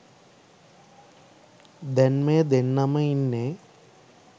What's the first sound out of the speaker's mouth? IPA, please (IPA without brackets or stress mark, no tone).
d̪